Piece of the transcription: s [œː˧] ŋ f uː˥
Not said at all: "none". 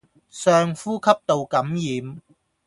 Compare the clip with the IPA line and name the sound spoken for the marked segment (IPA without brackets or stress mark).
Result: œː˧